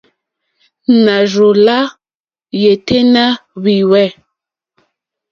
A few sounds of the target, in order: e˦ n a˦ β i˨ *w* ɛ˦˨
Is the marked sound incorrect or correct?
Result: correct